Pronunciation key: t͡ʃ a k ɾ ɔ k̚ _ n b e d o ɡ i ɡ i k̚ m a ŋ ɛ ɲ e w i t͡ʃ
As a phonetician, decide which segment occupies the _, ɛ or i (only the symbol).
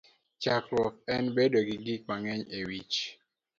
ɛ